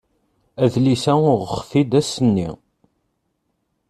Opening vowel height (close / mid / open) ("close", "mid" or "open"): open